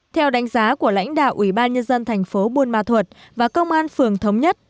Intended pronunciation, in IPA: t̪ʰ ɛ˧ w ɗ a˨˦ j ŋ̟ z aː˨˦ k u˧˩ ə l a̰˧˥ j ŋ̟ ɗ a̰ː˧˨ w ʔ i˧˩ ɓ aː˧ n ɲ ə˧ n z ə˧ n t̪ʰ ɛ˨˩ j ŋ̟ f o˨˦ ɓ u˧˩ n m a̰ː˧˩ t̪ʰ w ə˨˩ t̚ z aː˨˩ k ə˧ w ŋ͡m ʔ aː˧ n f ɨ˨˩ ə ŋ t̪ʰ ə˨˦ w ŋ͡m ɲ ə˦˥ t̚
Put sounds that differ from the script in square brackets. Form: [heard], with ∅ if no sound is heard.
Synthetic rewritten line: t̪ʰ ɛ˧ w ɗ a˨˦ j ŋ̟ z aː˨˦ k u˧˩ ə l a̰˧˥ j ŋ̟ ɗ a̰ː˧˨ w ʔ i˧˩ ɓ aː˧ n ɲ ə˧ n z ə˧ n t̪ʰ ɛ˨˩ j ŋ̟ f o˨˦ ɓ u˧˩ n m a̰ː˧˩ t̪ʰ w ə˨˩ t̚ [v] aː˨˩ k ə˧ w ŋ͡m ʔ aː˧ n f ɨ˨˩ ə ŋ t̪ʰ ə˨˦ w ŋ͡m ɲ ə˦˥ t̚